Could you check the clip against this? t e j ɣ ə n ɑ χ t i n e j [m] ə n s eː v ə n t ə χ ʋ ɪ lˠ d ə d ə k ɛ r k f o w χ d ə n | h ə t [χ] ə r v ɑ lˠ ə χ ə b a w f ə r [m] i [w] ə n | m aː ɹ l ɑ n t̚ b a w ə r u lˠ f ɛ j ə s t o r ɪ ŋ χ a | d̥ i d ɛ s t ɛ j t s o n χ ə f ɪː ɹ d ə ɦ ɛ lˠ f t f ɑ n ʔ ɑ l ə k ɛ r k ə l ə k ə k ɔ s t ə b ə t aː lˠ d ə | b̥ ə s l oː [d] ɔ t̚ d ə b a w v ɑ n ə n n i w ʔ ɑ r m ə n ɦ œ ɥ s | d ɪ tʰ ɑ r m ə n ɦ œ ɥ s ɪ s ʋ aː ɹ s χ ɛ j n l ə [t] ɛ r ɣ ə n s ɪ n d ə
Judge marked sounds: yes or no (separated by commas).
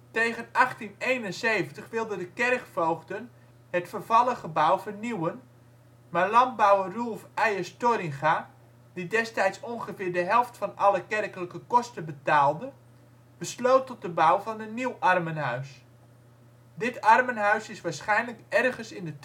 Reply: no, no, no, yes, no, no